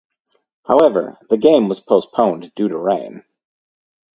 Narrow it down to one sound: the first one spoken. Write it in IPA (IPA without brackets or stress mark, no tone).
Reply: h